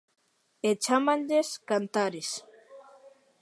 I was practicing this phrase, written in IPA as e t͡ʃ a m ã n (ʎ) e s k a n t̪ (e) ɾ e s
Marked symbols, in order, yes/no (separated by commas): yes, no